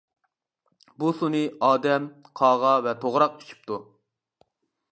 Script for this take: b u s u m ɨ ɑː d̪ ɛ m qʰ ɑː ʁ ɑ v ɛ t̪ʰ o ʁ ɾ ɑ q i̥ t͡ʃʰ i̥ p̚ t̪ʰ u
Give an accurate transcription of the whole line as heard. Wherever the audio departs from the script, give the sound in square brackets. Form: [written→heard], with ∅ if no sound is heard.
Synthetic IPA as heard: b u s u [m→n] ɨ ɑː d̪ ɛ m qʰ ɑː ʁ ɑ v ɛ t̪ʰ o ʁ ɾ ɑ q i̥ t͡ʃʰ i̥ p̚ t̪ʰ u